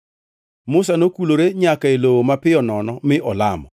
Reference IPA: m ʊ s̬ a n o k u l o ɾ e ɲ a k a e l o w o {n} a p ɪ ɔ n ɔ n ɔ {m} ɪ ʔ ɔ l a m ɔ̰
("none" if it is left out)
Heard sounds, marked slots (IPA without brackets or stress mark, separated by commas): m, m